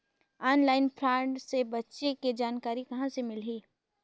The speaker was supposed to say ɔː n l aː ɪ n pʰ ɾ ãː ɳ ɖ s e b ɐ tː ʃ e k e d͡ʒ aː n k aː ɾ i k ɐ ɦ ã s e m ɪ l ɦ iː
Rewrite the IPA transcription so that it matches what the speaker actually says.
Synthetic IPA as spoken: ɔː n l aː ɪ n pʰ ɾ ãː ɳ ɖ s e b ɐ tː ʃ e k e d͡ʒ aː n k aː ɾ i k ɐ ɦ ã s e m ɪ l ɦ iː